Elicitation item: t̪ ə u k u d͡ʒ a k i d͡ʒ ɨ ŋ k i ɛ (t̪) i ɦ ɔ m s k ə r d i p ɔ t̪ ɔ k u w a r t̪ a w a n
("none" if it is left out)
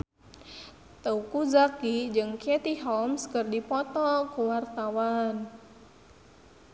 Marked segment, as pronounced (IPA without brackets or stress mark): t̪